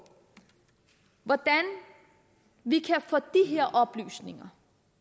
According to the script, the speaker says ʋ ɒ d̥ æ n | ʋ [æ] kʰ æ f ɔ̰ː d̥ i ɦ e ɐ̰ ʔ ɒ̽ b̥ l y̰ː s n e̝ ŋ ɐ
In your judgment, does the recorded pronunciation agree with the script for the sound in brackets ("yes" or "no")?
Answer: no